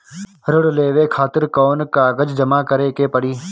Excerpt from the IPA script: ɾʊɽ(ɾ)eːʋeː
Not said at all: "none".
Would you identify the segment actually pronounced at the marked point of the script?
l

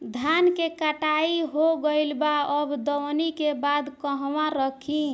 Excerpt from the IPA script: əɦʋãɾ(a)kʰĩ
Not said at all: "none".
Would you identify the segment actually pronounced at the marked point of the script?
ə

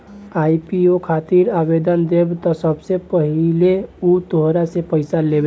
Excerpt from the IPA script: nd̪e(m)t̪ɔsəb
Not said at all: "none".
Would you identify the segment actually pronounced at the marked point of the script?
b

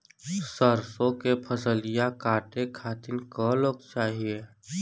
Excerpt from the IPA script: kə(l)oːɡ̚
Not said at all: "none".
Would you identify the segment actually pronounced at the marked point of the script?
l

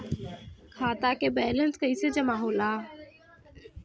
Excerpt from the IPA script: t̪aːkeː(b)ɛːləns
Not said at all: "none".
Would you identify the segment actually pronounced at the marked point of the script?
b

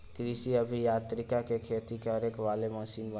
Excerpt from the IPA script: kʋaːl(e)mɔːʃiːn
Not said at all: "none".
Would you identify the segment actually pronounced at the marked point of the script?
e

